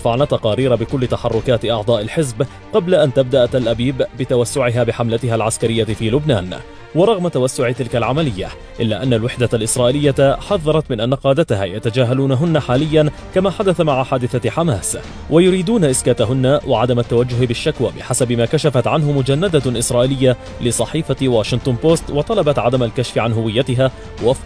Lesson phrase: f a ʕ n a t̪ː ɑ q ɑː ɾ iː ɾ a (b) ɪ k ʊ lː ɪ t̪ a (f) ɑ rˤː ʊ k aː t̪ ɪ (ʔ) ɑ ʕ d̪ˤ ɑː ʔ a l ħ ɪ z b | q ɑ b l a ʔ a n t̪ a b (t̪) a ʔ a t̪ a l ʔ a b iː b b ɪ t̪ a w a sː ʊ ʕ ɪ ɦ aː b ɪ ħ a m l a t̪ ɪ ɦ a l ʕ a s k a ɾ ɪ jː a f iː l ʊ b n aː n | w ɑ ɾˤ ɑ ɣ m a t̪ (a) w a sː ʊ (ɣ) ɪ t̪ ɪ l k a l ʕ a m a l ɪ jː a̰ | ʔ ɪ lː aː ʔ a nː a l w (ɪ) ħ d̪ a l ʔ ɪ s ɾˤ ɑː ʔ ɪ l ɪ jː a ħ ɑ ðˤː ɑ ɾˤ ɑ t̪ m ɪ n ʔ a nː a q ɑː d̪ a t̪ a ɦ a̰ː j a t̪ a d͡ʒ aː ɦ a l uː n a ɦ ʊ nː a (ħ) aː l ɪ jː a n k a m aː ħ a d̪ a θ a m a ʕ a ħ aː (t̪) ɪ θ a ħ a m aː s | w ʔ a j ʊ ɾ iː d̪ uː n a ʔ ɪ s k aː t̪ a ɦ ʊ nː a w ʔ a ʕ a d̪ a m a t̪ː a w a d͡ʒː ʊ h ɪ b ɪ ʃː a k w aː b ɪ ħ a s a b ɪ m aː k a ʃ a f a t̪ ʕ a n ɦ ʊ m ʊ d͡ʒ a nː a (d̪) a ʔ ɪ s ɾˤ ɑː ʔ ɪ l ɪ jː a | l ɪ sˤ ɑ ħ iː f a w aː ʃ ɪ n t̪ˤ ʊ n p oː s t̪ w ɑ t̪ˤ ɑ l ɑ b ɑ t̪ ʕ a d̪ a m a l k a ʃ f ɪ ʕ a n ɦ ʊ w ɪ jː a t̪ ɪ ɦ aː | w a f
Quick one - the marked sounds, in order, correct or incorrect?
correct, incorrect: ħ, correct, incorrect: d̪, correct, incorrect: ʕ, correct, correct, incorrect: d̪, correct

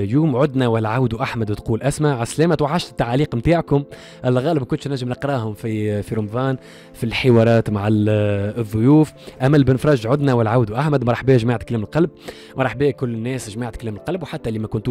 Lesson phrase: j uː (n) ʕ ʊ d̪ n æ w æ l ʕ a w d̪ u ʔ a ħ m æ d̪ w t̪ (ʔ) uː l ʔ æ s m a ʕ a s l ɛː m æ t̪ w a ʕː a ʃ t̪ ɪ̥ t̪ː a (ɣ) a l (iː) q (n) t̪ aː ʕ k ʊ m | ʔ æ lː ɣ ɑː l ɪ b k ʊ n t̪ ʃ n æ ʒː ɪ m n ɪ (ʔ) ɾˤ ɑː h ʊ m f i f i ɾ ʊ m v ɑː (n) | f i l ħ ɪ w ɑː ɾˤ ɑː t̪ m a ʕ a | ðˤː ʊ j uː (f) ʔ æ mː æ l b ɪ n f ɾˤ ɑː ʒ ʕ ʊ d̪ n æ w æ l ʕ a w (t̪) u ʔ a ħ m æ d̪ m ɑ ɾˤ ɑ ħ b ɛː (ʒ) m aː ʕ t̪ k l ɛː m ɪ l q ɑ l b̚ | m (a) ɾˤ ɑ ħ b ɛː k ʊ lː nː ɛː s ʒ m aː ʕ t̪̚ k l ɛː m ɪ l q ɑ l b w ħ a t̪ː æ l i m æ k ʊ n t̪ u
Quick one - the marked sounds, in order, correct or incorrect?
incorrect: m, incorrect: q, incorrect: ʕ, correct, incorrect: m, incorrect: q, correct, correct, incorrect: d̪, correct, incorrect: ɑ

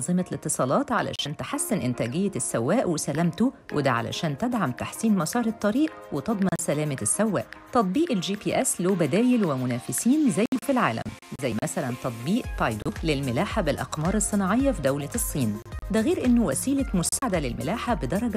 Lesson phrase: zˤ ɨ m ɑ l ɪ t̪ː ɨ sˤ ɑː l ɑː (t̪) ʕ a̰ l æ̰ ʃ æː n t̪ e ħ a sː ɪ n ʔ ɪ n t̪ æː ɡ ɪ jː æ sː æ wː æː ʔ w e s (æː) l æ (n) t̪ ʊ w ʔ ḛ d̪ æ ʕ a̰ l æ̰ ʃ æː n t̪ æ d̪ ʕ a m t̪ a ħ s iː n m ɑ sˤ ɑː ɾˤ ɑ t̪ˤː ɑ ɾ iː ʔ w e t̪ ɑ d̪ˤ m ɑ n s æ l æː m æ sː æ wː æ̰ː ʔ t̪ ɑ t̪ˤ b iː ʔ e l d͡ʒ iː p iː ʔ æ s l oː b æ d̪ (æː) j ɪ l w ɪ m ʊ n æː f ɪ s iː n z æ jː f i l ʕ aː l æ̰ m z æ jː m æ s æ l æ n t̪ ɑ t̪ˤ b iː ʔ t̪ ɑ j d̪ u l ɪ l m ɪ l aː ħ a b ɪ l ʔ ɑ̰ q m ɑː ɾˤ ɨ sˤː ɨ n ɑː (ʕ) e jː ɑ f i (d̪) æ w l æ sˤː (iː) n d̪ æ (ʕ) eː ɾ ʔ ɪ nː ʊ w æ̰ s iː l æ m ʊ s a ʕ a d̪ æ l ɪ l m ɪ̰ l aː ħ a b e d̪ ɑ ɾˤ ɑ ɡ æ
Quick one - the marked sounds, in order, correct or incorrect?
correct, incorrect: æ, incorrect: m, correct, correct, correct, correct, incorrect: ɣ

